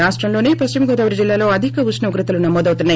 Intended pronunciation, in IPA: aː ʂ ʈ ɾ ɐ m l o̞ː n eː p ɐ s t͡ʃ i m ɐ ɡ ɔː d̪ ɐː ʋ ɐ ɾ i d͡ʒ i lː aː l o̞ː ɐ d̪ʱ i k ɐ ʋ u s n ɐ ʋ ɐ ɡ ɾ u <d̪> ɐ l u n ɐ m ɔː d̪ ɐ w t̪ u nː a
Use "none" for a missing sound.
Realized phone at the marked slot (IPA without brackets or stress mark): t̪